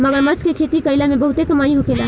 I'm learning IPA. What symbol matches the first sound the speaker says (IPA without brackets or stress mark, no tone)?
m